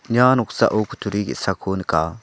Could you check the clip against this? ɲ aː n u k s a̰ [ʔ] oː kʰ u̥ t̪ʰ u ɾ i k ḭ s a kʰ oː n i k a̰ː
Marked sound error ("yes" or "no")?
no